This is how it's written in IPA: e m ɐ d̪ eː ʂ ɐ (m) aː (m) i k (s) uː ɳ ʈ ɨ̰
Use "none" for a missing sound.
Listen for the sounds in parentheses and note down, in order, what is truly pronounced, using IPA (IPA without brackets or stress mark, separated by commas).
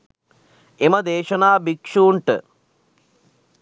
n, b, ʂ